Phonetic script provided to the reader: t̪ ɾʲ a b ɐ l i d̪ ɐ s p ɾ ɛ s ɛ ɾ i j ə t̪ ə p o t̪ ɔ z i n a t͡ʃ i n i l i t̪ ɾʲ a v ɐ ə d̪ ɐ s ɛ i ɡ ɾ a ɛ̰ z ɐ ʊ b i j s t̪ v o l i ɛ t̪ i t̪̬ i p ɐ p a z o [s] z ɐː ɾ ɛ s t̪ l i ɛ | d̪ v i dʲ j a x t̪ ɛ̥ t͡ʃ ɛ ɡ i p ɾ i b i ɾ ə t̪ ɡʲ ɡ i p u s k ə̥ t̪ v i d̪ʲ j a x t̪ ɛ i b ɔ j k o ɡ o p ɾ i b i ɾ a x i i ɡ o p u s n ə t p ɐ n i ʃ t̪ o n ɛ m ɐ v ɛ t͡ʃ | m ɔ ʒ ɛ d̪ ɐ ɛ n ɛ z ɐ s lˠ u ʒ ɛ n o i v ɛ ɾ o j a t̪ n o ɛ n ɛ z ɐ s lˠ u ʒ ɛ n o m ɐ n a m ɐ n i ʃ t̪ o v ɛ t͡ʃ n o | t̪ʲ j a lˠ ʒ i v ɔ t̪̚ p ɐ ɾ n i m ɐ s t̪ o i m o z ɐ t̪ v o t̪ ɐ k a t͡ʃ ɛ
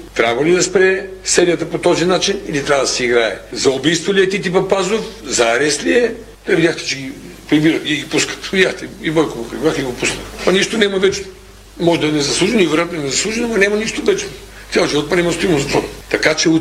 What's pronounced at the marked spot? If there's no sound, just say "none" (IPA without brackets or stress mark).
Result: f